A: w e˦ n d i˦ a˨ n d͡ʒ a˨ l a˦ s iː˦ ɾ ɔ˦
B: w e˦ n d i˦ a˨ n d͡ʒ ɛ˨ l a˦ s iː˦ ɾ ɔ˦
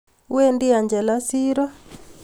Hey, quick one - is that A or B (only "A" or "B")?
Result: B